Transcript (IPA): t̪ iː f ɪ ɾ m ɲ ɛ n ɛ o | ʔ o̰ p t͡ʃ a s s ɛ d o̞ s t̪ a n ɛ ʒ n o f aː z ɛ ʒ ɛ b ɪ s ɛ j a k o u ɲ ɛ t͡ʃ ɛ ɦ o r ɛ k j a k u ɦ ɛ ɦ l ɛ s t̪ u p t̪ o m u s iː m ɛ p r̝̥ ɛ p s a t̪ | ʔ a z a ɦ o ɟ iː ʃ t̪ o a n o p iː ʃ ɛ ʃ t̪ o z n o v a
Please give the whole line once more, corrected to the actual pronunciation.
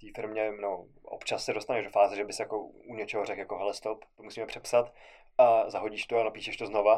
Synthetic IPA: t̪ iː f ɪ ɾ m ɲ ɛ n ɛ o | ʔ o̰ p t͡ʃ a s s ɛ d o̞ s t̪ a n ɛ ʒ d o f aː z ɛ ʒ ɛ b ɪ s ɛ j a k o u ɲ ɛ t͡ʃ ɛ ɦ o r ɛ k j a k o ɦ ɛ l ɛ s t̪ o p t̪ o m u s iː m ɛ p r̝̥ ɛ p s a t̪ | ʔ a z a ɦ o ɟ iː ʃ t̪ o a n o p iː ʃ ɛ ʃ t̪ o z n o v a